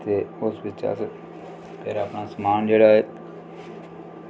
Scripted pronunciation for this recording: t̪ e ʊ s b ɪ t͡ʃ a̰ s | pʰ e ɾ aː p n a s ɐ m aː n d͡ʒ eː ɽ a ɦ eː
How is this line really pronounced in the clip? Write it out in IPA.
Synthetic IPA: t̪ e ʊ s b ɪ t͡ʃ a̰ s | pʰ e ɾ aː p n a s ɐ m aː n d͡ʒ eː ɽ a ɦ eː